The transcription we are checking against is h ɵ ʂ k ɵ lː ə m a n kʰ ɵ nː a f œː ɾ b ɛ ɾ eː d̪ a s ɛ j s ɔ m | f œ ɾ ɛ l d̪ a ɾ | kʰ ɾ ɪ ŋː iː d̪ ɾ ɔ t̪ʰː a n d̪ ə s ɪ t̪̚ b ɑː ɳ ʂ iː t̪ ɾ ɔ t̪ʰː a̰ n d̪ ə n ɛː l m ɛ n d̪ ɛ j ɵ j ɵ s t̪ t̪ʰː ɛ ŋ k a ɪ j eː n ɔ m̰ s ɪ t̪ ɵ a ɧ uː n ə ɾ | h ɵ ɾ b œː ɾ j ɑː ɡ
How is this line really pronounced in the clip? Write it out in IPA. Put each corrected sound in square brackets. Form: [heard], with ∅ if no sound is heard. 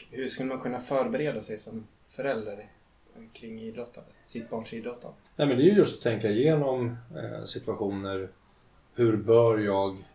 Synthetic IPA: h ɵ ʂ k ɵ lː ə m a n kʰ ɵ nː a f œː ɾ b ɛ ɾ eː d̪ a s ɛ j s ɔ m | f œ ɾ ɛ l d̪ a ɾ | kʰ ɾ ɪ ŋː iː d̪ ɾ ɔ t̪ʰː a n d̪ ə s ɪ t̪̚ b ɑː ɳ ʂ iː [d̪] ɾ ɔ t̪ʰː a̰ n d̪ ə n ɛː [∅] m ɛ n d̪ ɛ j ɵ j ɵ s t̪ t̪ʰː ɛ ŋ k a ɪ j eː n ɔ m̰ s ɪ t̪ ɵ a ɧ uː n ə ɾ | h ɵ ɾ b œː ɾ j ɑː ɡ